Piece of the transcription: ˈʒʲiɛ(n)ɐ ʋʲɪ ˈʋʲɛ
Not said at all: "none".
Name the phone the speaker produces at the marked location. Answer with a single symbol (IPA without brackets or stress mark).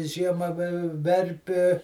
m